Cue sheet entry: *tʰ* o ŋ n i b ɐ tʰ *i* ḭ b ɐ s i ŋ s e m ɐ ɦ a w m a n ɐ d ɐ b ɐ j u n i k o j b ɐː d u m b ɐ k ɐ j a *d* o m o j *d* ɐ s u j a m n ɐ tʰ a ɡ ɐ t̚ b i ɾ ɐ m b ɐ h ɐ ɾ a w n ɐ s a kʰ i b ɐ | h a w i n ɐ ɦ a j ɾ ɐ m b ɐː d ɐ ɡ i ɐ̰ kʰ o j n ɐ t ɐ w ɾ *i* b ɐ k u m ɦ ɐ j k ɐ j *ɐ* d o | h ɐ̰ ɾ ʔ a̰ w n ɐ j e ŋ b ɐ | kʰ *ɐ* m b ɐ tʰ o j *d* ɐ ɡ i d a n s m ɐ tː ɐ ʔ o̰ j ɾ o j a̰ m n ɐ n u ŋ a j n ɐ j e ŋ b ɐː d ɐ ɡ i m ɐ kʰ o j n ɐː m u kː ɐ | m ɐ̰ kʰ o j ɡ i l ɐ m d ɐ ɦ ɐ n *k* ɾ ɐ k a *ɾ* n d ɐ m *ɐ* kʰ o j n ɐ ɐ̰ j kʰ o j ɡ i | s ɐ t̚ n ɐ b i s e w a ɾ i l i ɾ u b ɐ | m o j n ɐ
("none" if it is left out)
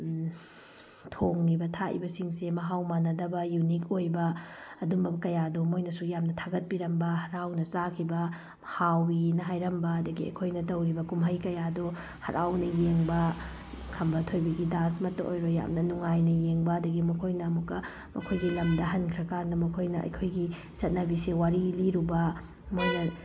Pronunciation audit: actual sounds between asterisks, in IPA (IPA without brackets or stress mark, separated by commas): tʰ, a, d, n, i, a, ɐ, b, kʰ, ɾ, ɐ